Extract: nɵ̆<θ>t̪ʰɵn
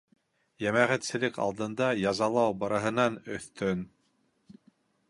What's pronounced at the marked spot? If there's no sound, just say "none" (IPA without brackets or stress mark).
θ